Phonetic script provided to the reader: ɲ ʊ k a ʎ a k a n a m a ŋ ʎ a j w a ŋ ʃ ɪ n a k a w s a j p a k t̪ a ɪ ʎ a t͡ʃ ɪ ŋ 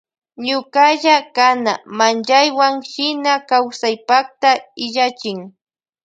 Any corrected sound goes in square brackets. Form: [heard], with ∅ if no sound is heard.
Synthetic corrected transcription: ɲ ʊ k a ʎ a k a n a m a [n] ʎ a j w a ŋ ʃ ɪ n a k a w s a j p a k t̪ a ɪ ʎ a t͡ʃ ɪ ŋ

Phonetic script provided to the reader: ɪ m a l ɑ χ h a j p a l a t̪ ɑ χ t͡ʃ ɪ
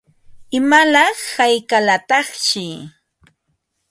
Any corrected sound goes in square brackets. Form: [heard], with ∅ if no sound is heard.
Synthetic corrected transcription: ɪ m a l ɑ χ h a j [k] a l a t̪ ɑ χ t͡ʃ ɪ

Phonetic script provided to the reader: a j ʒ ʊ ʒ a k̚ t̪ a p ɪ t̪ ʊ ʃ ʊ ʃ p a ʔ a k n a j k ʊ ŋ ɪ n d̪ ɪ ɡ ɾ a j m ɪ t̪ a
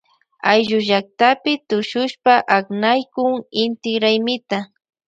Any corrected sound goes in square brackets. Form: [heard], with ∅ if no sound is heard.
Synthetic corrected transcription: a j ʒ ʊ ʒ a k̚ t̪ a p ɪ t̪ ʊ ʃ ʊ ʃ p a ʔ a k n a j k ʊ ŋ ɪ n [t̪] ɪ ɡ ɾ a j m ɪ t̪ a

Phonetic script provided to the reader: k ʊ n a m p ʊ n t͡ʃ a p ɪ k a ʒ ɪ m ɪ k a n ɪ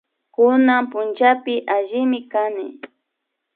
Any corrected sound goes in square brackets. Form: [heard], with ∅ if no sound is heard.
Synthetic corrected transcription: k ʊ n a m p ʊ n t͡ʃ a p ɪ [ʔ] a ʒ ɪ m ɪ k a n ɪ

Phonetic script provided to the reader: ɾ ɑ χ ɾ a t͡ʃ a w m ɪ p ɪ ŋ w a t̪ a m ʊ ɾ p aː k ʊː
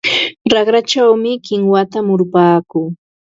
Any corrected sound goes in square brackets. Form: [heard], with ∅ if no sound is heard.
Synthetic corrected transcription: ɾ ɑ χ ɾ a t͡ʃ a w m ɪ [k] ɪ ŋ w a t̪ a m ʊ ɾ p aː k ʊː

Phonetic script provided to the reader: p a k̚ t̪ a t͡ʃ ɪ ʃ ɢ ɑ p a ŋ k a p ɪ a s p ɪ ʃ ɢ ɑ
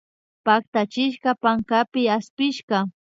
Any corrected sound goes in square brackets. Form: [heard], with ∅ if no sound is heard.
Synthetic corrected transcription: p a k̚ t̪ a t͡ʃ ɪ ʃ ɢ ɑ p a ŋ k a p ɪ a s p ɪ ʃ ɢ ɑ

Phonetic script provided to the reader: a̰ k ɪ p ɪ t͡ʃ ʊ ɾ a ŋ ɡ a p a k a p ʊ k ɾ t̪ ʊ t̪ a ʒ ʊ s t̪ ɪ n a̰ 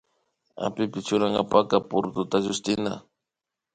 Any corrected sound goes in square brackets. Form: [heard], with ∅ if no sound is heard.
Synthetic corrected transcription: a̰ [p] ɪ p ɪ t͡ʃ ʊ ɾ a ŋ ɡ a p a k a p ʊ [∅] ɾ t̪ ʊ t̪ a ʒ ʊ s t̪ ɪ n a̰

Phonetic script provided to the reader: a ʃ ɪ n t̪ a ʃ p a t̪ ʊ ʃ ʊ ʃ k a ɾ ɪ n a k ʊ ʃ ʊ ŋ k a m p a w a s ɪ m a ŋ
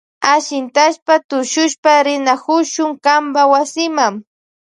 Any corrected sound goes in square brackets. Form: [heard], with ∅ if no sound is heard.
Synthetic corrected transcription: a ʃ ɪ n t̪ a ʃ p a t̪ ʊ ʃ ʊ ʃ [p] a ɾ ɪ n a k ʊ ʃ ʊ ŋ k a m [b] a w a s ɪ m a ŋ

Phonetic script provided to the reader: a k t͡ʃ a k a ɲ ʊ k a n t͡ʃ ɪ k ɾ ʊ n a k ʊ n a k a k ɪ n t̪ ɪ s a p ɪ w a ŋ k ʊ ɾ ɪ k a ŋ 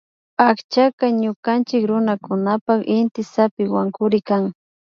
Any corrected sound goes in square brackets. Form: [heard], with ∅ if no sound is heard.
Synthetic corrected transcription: a k t͡ʃ a k a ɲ ʊ k a n t͡ʃ ɪ k ɾ ʊ n a k ʊ n a [p] a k ɪ n t̪ ɪ s a p ɪ w a ŋ k ʊ ɾ ɪ k a ŋ

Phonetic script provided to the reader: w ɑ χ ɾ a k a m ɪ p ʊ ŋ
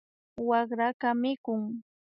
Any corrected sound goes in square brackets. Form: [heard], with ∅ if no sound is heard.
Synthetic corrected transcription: w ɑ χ ɾ a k a m ɪ [k] ʊ ŋ

